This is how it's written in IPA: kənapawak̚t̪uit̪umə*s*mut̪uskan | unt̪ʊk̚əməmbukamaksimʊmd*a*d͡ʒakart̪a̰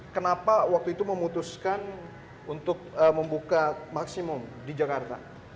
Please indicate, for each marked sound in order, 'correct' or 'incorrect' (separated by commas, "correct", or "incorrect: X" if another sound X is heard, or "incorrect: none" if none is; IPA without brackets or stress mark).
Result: incorrect: none, incorrect: i